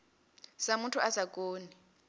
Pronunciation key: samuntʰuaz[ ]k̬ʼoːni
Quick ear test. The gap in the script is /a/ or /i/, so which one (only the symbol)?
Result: a